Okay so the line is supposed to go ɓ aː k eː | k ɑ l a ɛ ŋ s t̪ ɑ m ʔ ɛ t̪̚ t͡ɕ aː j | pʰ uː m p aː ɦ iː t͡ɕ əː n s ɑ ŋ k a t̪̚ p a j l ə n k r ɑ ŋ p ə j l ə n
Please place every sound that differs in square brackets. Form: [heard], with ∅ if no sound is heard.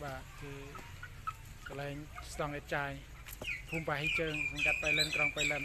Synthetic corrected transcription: ɓ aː k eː | k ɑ l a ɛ ŋ s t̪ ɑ [ŋ] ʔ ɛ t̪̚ t͡ɕ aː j | pʰ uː m p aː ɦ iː t͡ɕ əː [ŋ] s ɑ ŋ k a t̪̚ p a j l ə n k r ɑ ŋ p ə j l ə n